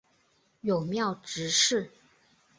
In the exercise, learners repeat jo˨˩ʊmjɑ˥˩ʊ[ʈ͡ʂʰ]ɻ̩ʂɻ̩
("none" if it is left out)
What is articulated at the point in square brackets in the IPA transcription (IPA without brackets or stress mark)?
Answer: ʈ͡ʂ